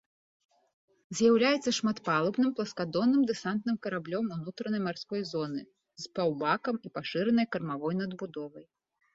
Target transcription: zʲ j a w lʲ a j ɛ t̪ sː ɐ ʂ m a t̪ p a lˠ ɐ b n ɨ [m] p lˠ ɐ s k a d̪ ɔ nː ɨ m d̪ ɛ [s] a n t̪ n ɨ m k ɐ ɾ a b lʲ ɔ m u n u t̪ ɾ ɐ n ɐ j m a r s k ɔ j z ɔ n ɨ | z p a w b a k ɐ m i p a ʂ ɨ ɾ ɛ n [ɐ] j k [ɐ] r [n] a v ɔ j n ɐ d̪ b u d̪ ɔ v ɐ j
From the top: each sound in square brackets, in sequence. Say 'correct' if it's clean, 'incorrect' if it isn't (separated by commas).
correct, correct, correct, correct, incorrect